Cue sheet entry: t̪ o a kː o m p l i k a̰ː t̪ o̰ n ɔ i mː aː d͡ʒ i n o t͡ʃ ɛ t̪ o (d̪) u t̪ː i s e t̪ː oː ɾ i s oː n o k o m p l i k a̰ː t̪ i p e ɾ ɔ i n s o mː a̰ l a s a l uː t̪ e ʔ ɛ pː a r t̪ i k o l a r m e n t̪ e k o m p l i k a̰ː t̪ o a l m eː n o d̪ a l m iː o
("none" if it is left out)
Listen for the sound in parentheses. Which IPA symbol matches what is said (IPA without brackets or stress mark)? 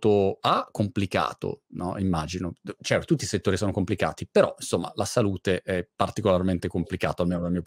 t̪